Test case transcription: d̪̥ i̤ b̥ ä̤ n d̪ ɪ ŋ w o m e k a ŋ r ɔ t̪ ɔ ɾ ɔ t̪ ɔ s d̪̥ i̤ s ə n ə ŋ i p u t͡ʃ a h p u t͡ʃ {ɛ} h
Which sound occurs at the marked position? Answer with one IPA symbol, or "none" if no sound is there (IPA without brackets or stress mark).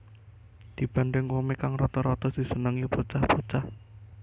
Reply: a